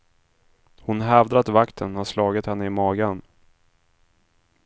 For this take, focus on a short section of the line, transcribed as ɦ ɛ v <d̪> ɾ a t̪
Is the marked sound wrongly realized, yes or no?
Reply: no